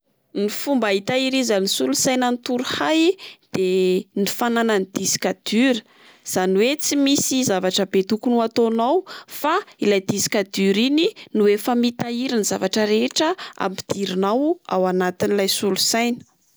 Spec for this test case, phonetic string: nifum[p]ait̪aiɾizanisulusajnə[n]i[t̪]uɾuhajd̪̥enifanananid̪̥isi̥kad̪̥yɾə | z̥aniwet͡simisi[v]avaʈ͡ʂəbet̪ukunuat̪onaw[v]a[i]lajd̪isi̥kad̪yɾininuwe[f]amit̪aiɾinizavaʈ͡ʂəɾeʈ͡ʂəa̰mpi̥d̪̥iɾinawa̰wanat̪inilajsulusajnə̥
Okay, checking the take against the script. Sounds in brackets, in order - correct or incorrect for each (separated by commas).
incorrect, correct, correct, incorrect, incorrect, correct, correct